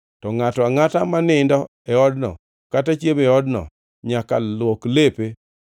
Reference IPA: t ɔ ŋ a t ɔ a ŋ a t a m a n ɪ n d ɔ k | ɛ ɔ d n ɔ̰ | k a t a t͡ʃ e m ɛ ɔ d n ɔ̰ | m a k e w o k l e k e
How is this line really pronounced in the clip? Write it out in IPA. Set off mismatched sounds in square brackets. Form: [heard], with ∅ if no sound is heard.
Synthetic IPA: t ɔ ŋ a t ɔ a ŋ a t a m a n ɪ n d ɔ [∅] | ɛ ɔ d n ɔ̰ | k a t a t͡ʃ e m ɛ ɔ d n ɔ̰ | [ɲ] a k [a] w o k l e [p] e